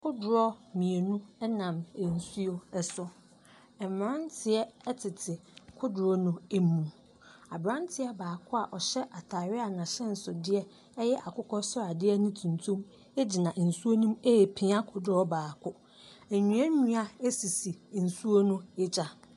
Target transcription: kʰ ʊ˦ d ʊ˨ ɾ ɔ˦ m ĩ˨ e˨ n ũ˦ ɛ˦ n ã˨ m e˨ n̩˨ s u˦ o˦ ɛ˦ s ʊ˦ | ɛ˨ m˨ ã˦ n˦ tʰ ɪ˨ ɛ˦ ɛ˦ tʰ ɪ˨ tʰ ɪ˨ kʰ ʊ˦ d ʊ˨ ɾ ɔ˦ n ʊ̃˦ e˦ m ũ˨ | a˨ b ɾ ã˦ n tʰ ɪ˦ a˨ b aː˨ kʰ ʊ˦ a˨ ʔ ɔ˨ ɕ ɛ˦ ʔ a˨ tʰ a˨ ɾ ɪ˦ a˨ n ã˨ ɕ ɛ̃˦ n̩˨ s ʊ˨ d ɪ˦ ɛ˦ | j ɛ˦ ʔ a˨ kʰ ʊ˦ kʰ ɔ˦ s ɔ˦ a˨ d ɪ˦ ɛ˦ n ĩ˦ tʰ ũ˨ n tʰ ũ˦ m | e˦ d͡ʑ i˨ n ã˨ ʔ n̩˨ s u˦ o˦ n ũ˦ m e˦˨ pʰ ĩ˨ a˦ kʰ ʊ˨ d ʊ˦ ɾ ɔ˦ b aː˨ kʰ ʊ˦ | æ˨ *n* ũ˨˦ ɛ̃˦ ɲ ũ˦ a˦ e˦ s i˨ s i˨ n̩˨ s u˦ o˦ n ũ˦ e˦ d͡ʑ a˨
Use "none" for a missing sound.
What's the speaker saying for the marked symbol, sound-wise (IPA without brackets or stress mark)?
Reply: ɲ